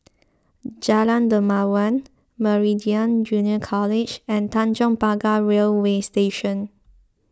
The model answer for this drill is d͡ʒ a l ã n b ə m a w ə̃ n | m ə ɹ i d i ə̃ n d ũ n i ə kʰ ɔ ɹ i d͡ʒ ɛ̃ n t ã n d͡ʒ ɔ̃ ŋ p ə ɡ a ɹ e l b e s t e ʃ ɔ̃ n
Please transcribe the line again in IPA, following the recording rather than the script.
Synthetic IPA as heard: d͡ʒ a l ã n d ə m a w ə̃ n | m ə ɹ i d i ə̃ n d͡ʒ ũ n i ə kʰ ɔ l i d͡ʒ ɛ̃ n t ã n d͡ʒ ɔ̃ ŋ p a ɡ a ɹ e l w e s t e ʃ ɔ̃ n